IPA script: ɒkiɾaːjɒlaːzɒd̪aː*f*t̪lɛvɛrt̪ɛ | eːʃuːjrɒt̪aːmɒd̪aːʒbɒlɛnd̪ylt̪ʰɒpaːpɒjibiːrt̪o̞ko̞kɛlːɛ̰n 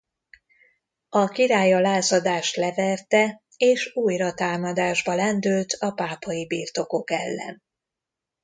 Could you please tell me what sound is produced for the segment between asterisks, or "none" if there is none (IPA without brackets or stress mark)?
ʃ